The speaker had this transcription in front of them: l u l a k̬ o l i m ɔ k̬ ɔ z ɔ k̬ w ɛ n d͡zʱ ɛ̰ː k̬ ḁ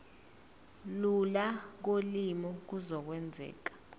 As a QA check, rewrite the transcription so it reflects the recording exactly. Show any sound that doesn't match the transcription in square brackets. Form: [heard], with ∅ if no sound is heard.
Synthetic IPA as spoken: l u l a k̬ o l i m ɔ k̬ [u] z ɔ k̬ w ɛ n d͡zʱ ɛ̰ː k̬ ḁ